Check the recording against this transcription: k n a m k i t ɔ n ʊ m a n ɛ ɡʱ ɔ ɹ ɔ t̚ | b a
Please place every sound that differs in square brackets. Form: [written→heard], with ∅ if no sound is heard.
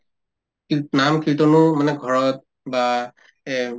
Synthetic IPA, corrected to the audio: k n a m k i t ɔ n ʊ m a n ɛ ɡʱ ɔ ɹ ɔ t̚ | b a